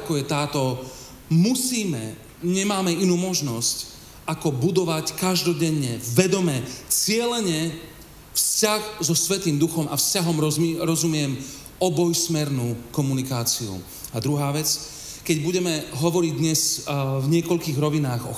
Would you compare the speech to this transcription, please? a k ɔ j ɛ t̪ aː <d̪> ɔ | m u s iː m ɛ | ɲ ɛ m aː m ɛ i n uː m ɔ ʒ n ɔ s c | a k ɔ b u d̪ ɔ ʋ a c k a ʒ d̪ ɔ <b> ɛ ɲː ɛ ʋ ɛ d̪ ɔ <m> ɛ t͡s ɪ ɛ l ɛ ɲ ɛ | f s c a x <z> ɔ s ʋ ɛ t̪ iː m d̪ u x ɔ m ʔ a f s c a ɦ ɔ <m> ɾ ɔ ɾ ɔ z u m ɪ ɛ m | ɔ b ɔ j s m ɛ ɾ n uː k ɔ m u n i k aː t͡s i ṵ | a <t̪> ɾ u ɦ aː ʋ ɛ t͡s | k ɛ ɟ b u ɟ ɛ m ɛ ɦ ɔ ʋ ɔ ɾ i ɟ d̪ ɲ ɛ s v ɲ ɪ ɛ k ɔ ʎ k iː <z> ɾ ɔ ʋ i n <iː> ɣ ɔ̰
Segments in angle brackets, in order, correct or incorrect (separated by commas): incorrect, incorrect, correct, correct, correct, incorrect, incorrect, incorrect